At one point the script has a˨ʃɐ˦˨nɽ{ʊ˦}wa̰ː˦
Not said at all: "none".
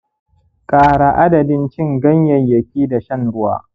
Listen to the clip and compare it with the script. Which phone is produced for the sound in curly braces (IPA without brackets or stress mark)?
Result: ʊ˦